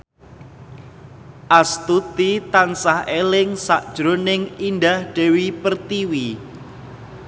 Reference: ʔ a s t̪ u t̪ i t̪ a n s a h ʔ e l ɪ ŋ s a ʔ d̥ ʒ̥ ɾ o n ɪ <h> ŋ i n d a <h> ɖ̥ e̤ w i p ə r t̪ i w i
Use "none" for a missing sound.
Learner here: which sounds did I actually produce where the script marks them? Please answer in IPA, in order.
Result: none, h

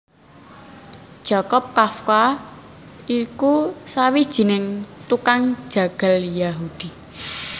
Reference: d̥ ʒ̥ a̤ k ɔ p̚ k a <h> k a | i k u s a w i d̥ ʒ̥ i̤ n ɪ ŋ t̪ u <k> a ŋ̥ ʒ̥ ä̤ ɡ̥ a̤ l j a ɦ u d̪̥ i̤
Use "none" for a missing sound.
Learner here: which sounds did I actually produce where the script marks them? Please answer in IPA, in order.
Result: f, k

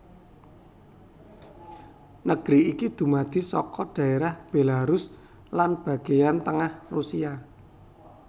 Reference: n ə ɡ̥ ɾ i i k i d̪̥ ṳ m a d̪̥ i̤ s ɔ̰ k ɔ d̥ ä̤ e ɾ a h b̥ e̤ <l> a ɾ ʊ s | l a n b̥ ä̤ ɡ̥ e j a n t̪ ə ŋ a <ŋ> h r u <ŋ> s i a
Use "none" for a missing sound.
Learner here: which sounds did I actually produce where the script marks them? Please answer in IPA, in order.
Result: l, none, none

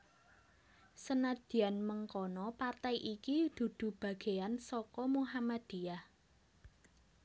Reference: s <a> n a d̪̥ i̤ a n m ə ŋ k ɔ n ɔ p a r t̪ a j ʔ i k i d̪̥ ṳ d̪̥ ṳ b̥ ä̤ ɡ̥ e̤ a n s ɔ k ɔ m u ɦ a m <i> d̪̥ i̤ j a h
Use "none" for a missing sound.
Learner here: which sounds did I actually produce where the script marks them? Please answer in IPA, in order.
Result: ə, a

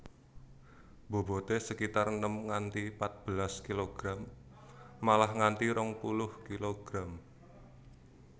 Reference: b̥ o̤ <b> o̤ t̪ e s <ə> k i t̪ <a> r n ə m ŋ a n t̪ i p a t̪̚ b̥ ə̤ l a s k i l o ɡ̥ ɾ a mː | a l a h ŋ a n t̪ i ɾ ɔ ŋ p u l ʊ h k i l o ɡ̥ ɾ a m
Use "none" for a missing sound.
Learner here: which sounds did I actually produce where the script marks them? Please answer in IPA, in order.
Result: b, ə, a

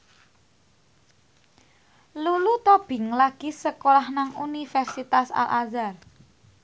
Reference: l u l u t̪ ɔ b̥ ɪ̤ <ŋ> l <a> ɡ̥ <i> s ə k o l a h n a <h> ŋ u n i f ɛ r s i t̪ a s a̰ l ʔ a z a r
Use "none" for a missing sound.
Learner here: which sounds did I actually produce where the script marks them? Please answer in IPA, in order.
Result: ŋ, a, i, none

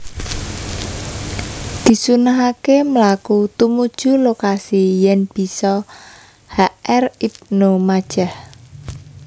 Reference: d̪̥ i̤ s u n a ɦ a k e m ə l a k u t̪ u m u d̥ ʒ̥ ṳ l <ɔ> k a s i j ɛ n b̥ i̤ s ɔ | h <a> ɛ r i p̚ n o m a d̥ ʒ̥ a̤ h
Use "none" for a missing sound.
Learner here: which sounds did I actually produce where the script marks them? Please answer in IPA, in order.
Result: o, a

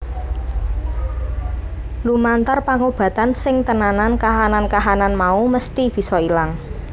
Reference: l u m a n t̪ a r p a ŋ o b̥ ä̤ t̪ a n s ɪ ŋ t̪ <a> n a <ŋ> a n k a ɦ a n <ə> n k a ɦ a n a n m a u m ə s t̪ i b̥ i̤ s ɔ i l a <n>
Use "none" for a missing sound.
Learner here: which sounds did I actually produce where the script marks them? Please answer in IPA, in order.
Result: ə, n, a, ŋ

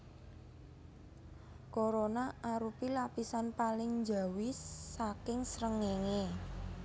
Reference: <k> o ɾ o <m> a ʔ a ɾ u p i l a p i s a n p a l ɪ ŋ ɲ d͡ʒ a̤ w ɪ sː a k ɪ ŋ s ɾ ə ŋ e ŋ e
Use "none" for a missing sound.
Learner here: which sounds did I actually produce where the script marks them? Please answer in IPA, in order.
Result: k, n

